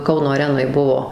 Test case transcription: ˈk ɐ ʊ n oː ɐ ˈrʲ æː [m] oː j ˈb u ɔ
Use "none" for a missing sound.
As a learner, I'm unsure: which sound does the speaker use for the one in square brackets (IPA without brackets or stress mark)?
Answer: n